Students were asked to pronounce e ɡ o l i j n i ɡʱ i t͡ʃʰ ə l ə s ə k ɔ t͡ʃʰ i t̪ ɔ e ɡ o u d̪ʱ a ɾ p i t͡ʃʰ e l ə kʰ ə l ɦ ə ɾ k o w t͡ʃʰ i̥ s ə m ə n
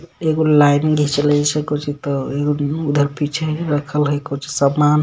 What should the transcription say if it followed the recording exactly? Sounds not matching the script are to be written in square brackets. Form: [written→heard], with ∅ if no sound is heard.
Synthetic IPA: e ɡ o l [i→a] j n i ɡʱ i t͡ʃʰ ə l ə s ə k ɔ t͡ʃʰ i t̪ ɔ e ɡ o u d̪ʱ [a→ə] ɾ p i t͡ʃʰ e [l→ɾ] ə kʰ ə l ɦ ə [ɾ→∅] k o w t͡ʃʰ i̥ s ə m [ə→a] n